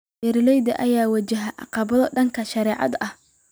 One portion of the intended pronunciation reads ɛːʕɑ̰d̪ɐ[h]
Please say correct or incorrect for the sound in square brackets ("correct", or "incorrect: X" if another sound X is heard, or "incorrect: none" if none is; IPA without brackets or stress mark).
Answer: correct